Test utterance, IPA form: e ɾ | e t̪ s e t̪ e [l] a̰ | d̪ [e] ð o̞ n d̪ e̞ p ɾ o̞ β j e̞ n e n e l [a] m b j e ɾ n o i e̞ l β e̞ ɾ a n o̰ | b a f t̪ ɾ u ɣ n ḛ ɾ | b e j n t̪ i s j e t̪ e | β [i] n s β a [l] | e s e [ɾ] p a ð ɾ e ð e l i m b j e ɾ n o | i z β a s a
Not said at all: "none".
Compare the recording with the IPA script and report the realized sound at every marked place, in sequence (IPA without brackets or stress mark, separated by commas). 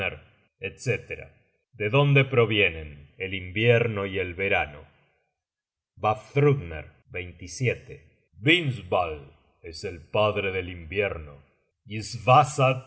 ɾ, e, i, i, l, l